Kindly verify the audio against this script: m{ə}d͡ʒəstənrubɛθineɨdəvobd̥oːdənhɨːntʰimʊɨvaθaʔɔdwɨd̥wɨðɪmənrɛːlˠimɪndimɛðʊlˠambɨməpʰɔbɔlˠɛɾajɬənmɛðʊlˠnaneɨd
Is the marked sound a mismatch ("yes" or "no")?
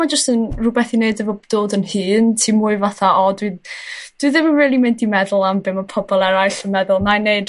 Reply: yes